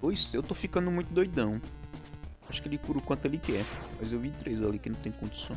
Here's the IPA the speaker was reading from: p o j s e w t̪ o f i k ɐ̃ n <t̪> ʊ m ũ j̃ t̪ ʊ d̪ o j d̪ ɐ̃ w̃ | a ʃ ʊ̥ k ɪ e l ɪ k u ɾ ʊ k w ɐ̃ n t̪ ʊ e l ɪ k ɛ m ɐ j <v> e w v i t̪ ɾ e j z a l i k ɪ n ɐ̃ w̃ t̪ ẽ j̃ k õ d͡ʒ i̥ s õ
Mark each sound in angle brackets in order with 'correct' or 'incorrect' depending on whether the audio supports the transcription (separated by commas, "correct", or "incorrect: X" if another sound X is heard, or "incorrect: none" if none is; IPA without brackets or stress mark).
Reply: incorrect: d̪, incorrect: z